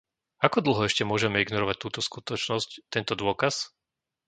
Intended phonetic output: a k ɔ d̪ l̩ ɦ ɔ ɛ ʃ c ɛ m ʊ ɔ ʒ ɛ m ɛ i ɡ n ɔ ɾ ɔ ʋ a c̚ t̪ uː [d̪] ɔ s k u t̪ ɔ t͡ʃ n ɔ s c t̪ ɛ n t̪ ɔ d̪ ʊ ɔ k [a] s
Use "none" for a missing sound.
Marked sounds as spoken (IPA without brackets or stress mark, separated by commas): t̪, a